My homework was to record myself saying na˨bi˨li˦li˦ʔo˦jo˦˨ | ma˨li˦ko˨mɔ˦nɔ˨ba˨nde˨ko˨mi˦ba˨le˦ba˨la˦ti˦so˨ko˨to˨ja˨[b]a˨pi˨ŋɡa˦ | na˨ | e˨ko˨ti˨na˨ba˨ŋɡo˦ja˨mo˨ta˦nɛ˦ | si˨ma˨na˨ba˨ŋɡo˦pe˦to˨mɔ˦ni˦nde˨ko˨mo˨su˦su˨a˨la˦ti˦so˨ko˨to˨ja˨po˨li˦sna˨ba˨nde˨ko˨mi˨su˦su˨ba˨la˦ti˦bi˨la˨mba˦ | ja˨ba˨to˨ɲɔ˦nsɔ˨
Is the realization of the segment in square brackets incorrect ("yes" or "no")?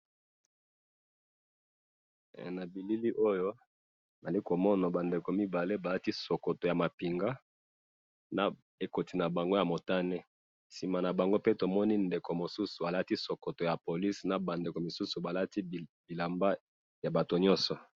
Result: yes